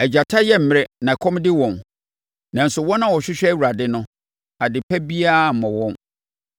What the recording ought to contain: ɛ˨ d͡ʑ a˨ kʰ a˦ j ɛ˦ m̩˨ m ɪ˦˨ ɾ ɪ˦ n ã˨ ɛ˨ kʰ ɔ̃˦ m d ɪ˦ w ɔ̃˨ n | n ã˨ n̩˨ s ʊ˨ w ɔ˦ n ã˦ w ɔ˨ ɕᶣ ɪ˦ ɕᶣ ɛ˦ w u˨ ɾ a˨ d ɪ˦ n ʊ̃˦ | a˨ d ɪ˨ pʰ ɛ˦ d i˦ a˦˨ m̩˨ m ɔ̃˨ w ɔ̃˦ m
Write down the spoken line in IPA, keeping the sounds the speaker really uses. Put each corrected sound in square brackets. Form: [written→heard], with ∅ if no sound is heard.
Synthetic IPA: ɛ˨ d͡ʑ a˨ [kʰ→tʰ] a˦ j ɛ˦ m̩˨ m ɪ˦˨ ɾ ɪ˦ n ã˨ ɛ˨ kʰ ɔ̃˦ m d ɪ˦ w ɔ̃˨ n | n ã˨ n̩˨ s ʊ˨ w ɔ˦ n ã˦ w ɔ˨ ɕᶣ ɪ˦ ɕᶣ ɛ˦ w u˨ ɾ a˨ d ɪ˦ n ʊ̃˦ | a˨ d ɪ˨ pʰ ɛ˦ [d→b] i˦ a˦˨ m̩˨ m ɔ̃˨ w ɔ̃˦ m